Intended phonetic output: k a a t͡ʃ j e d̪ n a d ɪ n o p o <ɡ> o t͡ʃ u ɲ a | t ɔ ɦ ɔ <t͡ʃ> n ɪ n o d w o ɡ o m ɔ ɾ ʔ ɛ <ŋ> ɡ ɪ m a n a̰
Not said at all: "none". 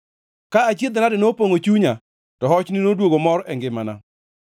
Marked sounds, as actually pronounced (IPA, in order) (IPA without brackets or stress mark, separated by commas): ŋ, t͡ʃ, ŋ